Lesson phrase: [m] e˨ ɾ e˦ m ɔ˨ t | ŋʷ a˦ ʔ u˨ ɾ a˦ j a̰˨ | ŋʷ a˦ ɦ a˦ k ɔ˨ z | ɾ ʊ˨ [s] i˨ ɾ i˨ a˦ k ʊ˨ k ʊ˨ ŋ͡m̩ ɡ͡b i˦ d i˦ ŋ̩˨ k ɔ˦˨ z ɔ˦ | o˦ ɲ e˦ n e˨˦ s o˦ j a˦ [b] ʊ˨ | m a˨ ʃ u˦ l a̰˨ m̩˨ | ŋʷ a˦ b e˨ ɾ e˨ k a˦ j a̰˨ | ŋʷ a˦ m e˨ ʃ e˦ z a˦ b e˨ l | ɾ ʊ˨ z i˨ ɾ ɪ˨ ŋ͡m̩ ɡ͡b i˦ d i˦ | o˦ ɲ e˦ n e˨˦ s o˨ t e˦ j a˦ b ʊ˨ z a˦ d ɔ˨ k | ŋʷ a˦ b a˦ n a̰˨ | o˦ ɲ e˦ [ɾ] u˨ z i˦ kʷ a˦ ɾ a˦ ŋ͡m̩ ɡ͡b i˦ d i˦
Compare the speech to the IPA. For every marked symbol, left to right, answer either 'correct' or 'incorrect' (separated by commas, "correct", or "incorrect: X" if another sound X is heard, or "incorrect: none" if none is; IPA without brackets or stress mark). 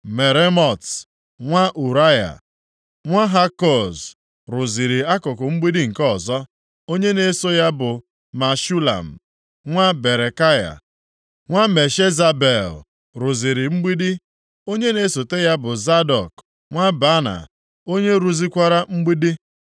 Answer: correct, incorrect: z, correct, correct